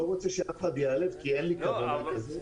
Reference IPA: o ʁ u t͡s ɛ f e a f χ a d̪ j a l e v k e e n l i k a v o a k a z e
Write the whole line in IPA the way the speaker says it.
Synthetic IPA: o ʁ o t͡s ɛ ʃ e a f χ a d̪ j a l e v k i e n l i k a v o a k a z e